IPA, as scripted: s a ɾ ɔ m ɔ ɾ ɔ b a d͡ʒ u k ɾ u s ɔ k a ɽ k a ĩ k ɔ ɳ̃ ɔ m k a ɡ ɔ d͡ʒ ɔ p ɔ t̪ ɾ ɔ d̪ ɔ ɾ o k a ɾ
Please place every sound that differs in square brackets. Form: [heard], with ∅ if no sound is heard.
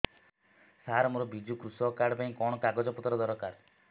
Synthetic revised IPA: s a ɾ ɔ m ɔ ɾ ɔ b [i] d͡ʒ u k ɾ u s ɔ k a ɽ [p] a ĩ k ɔ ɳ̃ ɔ [∅] k a ɡ ɔ d͡ʒ ɔ p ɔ t̪ ɾ ɔ d̪ ɔ ɾ [ɔ] k a ɾ